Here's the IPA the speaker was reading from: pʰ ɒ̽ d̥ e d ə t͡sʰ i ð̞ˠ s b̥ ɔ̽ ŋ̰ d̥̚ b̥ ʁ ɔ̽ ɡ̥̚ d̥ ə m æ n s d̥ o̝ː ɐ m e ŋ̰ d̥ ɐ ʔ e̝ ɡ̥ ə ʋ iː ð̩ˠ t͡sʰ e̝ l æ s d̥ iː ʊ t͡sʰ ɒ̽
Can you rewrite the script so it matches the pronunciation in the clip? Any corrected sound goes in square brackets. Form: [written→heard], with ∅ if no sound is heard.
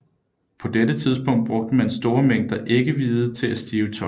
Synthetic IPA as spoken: pʰ ɒ̽ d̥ e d ə t͡sʰ i ð̞ˠ s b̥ ɔ̽ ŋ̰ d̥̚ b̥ ʁ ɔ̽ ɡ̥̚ d̥ ə m æ n s d̥ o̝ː ɐ m e ŋ̰ d̥ ɐ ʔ e̝ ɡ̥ ə ʋ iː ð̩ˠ t͡sʰ e̝ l æ s d̥ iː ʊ t͡sʰ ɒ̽